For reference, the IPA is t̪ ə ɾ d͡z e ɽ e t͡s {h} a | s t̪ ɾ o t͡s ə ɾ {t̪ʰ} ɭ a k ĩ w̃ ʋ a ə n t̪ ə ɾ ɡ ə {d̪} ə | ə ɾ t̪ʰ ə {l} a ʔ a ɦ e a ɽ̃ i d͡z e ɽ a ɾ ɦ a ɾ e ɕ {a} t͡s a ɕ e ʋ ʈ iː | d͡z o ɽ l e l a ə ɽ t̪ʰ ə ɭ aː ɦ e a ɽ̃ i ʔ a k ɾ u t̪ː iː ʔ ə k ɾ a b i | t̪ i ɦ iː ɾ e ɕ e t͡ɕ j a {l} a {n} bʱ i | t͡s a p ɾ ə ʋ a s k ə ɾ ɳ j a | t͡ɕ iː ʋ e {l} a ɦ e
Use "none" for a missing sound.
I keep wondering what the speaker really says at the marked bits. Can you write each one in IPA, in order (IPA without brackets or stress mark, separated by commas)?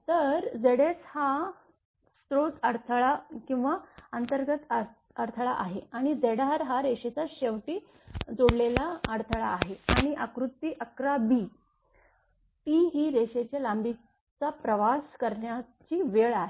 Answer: h, t̪ʰ, t̪, ɭ, e, l, m, ɭ